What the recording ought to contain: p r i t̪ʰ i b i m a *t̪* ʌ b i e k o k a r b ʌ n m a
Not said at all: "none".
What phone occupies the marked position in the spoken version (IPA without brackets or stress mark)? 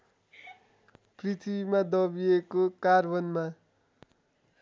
d̪